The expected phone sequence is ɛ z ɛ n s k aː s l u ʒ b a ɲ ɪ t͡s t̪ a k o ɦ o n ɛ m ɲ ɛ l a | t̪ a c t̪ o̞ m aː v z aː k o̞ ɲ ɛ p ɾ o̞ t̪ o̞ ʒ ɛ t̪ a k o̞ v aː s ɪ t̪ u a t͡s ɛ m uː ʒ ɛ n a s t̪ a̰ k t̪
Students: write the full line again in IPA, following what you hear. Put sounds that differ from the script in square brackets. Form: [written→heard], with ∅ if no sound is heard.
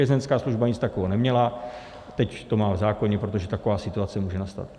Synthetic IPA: ɛ z ɛ n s k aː s l u ʒ b a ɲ ɪ t͡s t̪ a k o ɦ o n ɛ m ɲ ɛ l a | t̪ [a→ɛ] c t̪ o̞ m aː v z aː k o̞ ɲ ɛ p ɾ o̞ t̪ o̞ ʒ ɛ t̪ a k o̞ v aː s ɪ t̪ u a t͡s ɛ m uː ʒ ɛ n a s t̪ a̰ [k→∅] t̪